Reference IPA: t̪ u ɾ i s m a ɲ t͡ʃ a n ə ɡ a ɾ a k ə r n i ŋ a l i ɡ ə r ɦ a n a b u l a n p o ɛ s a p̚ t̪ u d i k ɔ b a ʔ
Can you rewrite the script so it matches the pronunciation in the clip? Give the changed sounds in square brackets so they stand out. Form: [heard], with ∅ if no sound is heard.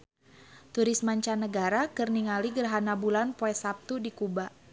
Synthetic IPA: t̪ u ɾ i s m a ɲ t͡ʃ a n ə ɡ a ɾ a k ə r n i ŋ a l i ɡ ə r ɦ a n a b u l a n p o ɛ s a p̚ t̪ u d i k [u] b a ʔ